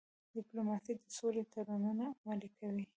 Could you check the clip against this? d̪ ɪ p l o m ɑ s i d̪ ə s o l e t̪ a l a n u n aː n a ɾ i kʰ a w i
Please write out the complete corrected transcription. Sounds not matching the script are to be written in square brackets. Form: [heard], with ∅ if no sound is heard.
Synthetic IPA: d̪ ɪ p l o m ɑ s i d̪ ə s o l e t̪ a [ɾ] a n u n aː [m] a [l] i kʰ a w i